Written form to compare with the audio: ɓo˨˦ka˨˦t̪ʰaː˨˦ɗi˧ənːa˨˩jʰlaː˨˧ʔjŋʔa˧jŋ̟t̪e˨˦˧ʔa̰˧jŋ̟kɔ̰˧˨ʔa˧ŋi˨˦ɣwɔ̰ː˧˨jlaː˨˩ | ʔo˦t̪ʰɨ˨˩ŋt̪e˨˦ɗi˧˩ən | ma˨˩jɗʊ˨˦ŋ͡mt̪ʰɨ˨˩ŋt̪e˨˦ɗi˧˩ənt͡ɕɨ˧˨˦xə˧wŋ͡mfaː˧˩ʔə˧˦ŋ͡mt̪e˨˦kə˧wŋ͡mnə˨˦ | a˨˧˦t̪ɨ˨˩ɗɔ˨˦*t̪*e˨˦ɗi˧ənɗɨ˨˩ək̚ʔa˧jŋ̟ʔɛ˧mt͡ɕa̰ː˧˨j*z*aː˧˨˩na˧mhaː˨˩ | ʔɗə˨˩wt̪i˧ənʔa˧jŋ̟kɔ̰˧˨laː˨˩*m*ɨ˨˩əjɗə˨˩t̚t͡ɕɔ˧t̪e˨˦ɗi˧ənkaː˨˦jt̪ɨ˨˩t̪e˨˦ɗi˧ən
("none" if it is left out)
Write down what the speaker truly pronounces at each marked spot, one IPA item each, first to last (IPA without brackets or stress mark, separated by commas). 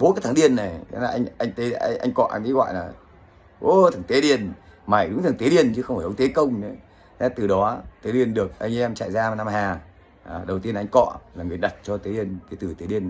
t̪, z, ŋ